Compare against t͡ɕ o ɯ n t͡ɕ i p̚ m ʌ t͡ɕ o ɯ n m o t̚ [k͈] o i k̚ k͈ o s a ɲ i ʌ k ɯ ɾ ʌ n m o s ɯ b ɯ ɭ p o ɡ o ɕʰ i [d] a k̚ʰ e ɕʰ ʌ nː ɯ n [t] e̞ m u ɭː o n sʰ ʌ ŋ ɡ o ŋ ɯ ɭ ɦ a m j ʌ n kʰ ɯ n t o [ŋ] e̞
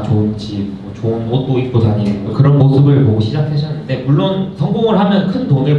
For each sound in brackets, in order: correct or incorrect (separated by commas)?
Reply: incorrect, incorrect, incorrect, correct